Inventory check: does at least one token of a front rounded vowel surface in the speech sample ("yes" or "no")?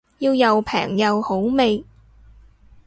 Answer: no